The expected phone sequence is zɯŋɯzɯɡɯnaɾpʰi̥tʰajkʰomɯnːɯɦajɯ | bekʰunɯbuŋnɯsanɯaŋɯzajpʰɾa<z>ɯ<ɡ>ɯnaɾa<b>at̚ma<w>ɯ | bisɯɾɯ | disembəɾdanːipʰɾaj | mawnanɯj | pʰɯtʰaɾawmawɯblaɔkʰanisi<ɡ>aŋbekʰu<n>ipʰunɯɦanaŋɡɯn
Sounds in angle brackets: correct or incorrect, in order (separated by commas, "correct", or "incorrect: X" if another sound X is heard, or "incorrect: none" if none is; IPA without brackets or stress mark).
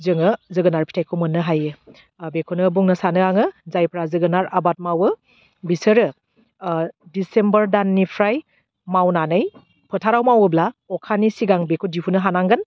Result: correct, correct, correct, correct, correct, incorrect: d